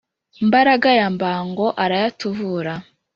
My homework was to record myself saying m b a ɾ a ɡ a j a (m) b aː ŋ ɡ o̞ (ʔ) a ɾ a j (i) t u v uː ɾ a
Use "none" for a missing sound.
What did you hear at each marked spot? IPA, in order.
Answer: m, ʔ, a

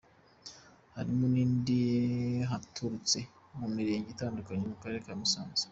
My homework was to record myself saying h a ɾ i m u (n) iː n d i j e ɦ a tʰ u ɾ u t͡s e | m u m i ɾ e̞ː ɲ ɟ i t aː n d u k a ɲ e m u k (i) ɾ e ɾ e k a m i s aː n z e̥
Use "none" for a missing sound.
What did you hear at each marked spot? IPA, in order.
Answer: n, a

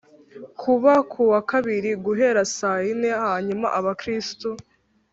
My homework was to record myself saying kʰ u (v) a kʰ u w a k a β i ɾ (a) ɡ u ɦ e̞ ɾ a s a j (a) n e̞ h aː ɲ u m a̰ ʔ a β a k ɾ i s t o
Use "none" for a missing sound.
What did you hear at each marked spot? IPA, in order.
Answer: β, i, i

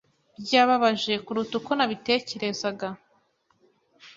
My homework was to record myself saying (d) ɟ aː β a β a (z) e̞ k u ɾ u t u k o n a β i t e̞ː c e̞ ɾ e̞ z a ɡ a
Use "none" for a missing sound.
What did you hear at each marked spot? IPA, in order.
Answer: b, ʒ

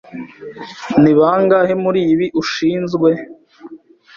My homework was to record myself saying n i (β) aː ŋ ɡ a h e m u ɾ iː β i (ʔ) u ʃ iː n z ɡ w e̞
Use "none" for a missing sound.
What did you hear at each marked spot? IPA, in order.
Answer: β, ʔ

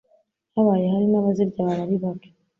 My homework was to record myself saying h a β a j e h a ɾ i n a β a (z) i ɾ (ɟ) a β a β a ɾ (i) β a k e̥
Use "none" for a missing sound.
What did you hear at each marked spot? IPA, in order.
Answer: z, ɟ, i

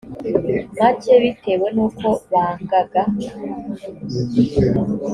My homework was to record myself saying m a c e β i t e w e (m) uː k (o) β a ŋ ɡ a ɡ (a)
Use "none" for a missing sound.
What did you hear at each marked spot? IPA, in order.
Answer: n, o, a

